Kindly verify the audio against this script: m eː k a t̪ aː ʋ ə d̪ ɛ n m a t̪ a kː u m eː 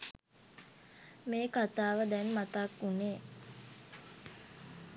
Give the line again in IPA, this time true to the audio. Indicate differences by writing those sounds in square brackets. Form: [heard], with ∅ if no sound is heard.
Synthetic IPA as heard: m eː k a t̪ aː ʋ ə d̪ ɛ n m a t̪ a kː u [n] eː